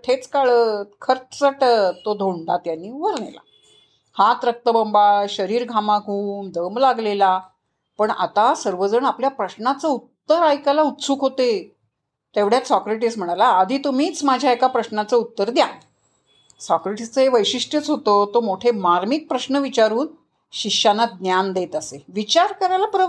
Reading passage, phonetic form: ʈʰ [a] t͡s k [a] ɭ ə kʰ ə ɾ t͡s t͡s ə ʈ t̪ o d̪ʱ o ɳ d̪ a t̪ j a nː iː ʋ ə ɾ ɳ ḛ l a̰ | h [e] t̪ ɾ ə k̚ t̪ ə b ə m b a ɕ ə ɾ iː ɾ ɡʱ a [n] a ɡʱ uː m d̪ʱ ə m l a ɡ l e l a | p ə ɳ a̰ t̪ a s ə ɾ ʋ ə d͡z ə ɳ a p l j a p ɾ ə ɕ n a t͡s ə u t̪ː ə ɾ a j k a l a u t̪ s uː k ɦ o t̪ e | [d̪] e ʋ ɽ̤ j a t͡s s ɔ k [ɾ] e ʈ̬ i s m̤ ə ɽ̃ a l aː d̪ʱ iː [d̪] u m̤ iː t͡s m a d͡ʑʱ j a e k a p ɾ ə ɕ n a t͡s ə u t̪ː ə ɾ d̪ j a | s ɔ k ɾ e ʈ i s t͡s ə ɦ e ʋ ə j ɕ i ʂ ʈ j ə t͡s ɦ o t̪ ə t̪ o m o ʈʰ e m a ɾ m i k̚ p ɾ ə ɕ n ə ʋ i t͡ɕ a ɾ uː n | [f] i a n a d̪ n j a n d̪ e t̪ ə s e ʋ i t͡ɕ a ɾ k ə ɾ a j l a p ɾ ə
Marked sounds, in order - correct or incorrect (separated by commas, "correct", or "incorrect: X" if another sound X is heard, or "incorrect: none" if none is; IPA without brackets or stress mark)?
incorrect: e, correct, incorrect: a, incorrect: m, incorrect: t̪, correct, incorrect: t̪, incorrect: ɕ